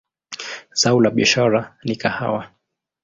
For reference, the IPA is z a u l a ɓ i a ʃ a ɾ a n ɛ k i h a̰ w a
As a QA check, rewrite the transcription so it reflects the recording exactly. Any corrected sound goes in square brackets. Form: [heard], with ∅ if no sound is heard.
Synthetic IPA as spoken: z a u l a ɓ i a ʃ a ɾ a n [i] k [a] h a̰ w a